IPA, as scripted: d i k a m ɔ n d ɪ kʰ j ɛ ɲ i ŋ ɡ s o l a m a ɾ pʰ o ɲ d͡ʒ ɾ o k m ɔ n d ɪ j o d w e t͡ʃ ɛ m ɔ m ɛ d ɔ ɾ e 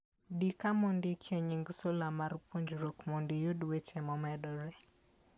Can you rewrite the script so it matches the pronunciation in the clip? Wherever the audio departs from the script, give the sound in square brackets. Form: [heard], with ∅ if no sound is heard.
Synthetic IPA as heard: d i k a m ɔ n d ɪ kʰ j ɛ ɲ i ŋ ɡ s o l a m a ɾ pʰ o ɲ d͡ʒ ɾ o k m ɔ n d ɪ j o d w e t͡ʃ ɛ m ɔ m ɛ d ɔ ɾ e